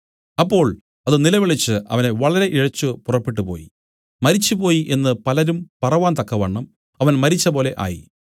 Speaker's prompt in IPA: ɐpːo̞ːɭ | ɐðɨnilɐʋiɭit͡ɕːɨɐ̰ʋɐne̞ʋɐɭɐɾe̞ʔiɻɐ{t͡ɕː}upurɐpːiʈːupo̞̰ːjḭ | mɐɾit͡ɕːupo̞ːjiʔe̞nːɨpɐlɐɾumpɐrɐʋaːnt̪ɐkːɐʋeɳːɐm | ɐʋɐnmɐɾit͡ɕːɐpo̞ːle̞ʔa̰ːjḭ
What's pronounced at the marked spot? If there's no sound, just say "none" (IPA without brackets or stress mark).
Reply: t͡ɕː